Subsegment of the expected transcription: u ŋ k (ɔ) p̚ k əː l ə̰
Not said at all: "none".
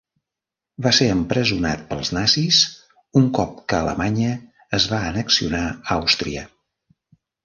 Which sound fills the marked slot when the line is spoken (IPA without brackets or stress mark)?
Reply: ɔ